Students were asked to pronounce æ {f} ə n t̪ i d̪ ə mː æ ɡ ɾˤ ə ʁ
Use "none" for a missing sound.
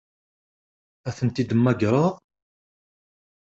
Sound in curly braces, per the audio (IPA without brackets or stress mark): θ